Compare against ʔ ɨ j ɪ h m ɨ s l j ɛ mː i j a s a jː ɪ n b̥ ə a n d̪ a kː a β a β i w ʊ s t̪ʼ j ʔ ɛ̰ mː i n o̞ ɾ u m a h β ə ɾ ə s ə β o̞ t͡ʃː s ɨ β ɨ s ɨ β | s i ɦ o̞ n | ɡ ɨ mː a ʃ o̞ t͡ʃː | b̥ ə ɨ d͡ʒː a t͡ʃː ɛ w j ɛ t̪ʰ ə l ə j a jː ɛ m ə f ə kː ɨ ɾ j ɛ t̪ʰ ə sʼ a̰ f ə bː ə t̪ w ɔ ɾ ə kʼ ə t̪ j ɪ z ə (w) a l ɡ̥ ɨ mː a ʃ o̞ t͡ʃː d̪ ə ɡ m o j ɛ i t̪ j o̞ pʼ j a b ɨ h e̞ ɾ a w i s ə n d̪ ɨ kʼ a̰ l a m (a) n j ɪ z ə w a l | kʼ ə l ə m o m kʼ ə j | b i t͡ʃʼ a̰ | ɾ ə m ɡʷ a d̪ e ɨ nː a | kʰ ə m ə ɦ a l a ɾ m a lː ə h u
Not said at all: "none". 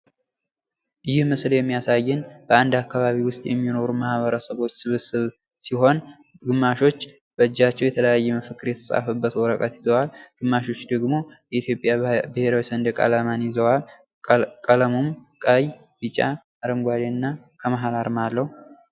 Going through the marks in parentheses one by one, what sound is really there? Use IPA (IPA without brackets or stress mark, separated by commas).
w, a